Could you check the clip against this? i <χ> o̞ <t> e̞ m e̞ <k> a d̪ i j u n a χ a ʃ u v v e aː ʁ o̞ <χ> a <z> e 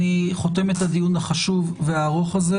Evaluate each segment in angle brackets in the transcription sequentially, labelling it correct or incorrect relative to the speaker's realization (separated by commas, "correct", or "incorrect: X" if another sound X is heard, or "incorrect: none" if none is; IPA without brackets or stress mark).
correct, correct, incorrect: t, correct, correct